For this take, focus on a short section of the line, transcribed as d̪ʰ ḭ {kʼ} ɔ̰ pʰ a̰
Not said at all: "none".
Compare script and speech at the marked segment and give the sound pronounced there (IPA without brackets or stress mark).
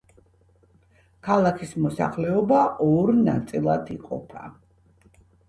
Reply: qʼ